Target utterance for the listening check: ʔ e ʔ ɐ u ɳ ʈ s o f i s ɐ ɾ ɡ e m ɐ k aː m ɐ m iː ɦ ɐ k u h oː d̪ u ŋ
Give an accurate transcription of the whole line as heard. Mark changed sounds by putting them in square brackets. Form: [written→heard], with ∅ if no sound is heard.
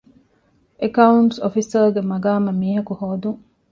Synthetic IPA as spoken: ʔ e [ʔ→k] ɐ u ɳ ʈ s o f i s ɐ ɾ ɡ e m ɐ [k→ɡ] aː m ɐ m iː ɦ ɐ k u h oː d̪ u ŋ